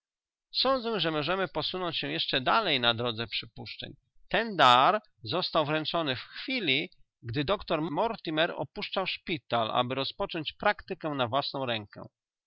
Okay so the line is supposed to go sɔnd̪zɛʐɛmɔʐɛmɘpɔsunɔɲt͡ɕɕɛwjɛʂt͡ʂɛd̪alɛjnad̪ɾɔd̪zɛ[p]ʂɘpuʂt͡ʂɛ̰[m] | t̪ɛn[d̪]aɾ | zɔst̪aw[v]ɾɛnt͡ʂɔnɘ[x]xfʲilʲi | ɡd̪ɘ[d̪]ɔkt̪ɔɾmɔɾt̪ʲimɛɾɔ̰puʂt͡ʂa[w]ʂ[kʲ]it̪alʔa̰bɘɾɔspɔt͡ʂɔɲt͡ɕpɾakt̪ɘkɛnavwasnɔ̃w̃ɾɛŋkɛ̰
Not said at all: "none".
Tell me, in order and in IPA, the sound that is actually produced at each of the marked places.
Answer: p, ɲ, d̪, v, f, d̪, w, pʲ

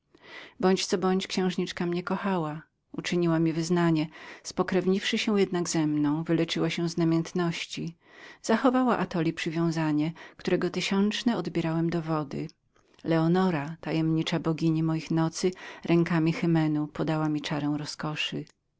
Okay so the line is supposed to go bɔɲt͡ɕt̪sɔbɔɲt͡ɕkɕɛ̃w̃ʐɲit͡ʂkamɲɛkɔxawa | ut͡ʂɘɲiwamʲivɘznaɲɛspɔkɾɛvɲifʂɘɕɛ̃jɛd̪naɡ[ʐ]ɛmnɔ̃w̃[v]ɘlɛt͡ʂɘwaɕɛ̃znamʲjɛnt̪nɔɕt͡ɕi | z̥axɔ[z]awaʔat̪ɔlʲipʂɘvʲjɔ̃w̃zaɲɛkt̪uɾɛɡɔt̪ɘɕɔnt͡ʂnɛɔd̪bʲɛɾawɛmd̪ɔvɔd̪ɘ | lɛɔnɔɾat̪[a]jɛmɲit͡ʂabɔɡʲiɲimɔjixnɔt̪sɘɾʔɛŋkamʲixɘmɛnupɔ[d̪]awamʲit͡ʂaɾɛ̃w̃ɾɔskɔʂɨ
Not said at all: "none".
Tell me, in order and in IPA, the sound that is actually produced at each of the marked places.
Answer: z, v, v, a, d̪

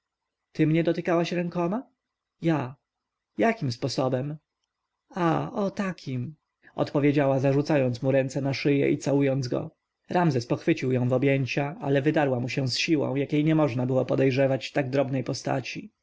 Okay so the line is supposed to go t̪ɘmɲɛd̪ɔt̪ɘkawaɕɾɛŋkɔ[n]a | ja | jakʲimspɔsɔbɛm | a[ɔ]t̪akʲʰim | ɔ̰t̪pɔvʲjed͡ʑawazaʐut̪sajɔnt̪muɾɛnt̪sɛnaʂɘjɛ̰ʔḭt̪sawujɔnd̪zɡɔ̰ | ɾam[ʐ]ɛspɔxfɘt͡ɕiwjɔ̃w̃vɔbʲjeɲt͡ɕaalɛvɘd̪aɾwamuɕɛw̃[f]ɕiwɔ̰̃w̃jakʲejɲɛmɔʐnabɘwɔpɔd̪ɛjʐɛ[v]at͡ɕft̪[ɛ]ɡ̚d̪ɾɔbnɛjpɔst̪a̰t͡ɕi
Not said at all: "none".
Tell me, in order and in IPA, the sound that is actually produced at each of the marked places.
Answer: m, ɔ, z, s, v, a

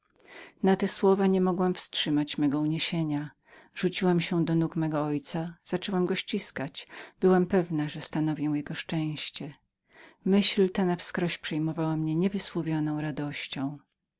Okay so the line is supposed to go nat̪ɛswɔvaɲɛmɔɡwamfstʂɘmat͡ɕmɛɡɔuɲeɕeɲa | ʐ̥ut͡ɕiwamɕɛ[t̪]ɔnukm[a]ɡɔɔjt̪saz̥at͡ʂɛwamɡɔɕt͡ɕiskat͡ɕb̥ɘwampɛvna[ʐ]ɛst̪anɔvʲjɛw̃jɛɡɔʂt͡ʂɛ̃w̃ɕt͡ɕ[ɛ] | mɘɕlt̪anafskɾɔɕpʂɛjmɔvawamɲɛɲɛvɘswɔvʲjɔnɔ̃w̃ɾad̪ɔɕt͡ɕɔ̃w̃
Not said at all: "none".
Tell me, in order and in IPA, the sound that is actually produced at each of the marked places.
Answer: d̪, ɛ, ʐ, ɛ

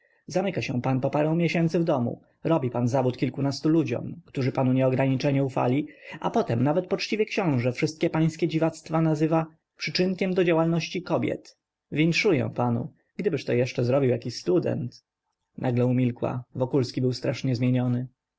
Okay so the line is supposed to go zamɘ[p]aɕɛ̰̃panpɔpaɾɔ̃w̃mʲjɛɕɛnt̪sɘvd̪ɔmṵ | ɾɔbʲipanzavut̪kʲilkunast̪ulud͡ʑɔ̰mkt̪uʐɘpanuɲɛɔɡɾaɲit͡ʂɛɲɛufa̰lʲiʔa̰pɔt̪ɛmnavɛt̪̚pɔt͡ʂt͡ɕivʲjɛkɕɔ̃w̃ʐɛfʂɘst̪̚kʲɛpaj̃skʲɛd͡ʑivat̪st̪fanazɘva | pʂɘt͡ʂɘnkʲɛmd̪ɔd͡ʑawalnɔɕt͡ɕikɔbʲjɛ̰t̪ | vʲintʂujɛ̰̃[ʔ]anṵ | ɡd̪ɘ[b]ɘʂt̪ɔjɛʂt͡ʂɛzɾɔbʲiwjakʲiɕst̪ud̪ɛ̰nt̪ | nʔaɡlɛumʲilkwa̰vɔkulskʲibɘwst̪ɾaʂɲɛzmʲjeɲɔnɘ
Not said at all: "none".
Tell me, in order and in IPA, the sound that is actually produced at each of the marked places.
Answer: k, p, b

